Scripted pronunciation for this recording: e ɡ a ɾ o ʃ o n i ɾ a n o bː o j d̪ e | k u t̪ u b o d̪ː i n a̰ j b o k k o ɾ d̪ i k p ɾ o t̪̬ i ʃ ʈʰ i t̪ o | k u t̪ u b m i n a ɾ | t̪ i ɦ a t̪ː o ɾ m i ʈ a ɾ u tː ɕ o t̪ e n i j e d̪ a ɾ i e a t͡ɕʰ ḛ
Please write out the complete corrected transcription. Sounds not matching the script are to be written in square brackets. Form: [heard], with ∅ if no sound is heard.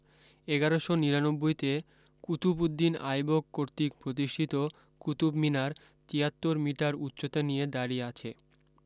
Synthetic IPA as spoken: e ɡ a ɾ o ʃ o n i ɾ a n o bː o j [t̪] e | k u t̪ u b [u] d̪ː i n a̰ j b o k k o ɾ [t̪] i k p ɾ o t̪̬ i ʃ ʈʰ i t̪ o | k u t̪ u b m i n a ɾ | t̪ i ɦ a t̪ː o ɾ m i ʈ a ɾ u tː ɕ o t̪ e n i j e d̪ a ɾ i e a t͡ɕʰ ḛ

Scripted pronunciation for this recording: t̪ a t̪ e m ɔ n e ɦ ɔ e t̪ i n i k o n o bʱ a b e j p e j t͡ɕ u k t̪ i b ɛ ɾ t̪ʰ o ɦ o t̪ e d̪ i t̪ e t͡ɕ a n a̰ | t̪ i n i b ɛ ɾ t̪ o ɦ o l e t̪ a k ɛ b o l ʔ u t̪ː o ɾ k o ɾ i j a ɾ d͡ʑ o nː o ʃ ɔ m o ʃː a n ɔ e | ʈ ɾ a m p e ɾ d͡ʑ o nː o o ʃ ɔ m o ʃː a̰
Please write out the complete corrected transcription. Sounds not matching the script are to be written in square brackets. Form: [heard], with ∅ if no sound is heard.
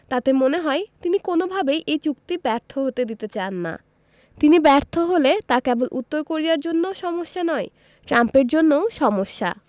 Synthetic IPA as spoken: t̪ a t̪ e m [o] n e ɦ ɔ e t̪ i n i k o n o bʱ a b e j [ʔ] e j t͡ɕ u k t̪ i b ɛ ɾ t̪ʰ o ɦ o t̪ e d̪ i t̪ e t͡ɕ a [nː] a̰ | t̪ i n i b ɛ ɾ [t̪ʰ] o ɦ o l e t̪ a k ɛ b o l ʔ u t̪ː o ɾ k o ɾ i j a ɾ d͡ʑ o nː o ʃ ɔ m o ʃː a n ɔ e | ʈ ɾ a m p e ɾ d͡ʑ o nː o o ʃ ɔ m o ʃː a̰

